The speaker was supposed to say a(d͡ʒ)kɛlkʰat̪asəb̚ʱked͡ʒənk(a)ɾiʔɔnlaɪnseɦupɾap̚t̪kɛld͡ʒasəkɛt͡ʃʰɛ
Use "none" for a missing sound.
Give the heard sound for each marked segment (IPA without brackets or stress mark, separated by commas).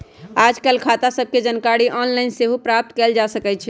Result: d͡ʒ, a